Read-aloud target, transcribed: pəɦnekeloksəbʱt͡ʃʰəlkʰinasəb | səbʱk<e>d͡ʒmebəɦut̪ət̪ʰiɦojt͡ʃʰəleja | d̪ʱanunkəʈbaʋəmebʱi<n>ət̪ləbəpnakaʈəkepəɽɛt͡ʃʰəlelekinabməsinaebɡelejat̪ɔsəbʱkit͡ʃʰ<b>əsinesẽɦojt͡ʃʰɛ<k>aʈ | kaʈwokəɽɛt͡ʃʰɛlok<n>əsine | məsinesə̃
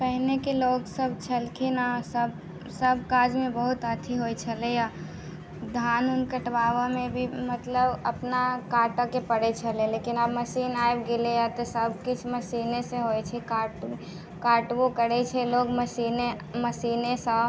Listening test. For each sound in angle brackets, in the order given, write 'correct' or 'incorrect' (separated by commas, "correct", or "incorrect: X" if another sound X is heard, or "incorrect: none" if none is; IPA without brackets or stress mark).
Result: incorrect: a, incorrect: m, incorrect: m, correct, incorrect: m